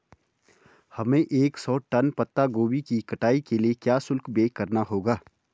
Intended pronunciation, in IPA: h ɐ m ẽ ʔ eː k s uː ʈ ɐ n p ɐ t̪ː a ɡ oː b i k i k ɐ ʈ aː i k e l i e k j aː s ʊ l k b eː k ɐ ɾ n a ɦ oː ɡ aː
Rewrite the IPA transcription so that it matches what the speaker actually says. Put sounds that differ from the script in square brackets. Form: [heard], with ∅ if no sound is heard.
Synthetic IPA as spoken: h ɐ m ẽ ʔ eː k s [ɔː] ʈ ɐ n p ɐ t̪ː a ɡ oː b i k i k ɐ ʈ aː i k e l i e k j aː s ʊ l k b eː k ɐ ɾ n a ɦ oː ɡ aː